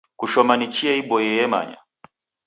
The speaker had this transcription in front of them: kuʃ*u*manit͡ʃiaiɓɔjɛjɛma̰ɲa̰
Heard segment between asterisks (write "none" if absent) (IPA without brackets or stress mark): ɔ